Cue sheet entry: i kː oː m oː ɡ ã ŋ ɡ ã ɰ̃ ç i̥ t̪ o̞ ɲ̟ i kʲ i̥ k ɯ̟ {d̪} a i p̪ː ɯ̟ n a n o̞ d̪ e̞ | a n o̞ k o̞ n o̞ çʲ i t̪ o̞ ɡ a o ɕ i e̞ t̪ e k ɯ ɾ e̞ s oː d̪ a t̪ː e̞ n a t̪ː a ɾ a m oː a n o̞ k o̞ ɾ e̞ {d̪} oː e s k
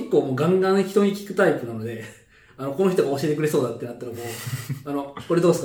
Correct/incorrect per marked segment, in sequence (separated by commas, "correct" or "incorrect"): incorrect, correct